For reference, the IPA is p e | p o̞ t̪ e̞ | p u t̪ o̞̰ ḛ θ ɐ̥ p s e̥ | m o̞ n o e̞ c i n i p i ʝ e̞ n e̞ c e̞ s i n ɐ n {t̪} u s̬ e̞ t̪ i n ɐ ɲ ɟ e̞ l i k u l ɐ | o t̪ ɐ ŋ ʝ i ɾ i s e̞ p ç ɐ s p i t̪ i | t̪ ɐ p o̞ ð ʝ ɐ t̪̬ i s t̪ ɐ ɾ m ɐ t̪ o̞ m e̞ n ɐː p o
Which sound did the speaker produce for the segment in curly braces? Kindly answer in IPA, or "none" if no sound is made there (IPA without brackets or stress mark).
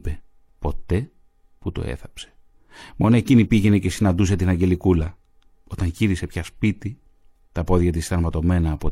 d̪